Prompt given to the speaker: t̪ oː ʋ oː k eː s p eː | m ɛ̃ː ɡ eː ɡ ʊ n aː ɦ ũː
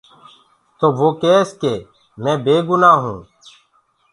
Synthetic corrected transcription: t̪ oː ʋ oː k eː s k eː | m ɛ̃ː b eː ɡ ʊ n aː ɦ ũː